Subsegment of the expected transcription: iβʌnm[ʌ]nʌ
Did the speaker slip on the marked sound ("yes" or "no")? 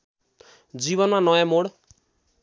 yes